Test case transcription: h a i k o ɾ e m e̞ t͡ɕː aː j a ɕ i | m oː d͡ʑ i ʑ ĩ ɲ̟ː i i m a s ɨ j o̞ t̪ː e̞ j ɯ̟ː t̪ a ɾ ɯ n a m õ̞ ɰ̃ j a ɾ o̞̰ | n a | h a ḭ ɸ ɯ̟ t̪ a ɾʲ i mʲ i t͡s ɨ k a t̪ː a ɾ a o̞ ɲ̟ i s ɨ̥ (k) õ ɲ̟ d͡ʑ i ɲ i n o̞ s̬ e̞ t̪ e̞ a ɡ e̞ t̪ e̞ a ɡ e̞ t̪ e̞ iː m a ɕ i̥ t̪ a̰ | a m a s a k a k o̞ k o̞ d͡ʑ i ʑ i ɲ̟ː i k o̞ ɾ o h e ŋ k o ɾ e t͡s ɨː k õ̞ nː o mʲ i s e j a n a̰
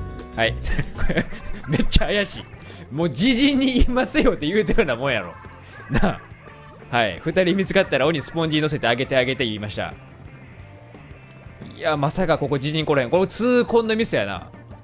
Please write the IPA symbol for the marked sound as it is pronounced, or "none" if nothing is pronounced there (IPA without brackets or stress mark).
p